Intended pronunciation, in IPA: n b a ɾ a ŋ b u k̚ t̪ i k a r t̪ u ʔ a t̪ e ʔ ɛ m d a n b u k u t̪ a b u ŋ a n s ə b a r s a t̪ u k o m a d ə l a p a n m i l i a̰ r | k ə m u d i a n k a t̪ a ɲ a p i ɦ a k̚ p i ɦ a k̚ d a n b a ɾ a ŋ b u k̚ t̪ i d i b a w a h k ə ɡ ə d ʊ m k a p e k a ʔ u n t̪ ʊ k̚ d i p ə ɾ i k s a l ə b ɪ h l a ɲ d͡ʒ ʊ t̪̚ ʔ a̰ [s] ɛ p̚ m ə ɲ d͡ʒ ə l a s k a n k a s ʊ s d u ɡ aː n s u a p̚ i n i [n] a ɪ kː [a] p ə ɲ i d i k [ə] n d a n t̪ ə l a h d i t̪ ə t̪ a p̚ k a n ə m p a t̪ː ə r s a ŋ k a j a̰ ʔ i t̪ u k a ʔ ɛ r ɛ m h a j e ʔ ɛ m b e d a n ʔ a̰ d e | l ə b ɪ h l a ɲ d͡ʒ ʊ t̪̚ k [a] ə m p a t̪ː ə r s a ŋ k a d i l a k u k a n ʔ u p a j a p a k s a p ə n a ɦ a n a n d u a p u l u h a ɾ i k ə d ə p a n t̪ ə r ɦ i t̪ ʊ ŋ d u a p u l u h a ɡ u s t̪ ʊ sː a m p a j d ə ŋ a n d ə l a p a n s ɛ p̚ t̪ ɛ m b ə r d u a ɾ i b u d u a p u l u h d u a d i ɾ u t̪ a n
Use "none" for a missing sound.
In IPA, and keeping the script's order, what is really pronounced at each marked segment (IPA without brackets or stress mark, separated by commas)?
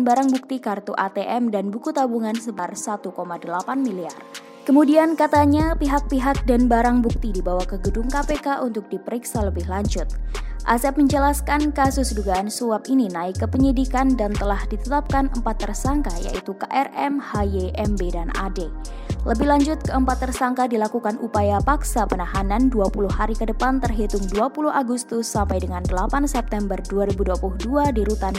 s, n, ə, a, ə